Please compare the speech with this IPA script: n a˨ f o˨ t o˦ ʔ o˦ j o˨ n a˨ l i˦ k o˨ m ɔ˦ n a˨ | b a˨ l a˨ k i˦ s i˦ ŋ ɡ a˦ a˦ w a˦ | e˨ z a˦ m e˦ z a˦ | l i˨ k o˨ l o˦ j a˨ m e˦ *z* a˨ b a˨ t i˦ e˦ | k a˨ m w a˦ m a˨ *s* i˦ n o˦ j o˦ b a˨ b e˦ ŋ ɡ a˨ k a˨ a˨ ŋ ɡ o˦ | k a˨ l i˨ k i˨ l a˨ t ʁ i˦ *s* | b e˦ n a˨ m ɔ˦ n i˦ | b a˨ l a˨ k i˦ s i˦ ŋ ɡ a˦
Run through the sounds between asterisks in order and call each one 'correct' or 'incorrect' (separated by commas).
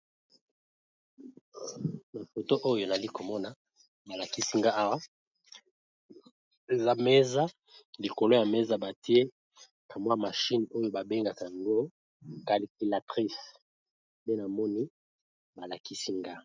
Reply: correct, incorrect, correct